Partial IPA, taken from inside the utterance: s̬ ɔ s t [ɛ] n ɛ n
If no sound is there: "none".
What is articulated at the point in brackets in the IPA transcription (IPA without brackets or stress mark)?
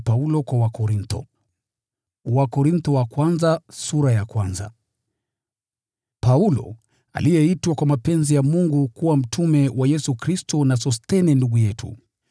ɛ